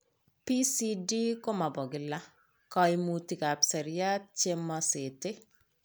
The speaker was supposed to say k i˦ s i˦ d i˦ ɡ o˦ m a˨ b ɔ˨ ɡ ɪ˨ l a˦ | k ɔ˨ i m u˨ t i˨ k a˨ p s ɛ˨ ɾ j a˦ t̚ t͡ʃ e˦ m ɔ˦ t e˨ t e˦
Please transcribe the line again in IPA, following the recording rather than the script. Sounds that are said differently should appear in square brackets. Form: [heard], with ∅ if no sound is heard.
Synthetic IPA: [p] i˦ s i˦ d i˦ [k] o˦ m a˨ b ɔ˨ ɡ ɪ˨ l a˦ | k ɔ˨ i m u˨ t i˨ k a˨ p s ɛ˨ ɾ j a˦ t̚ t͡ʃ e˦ m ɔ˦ [s] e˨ t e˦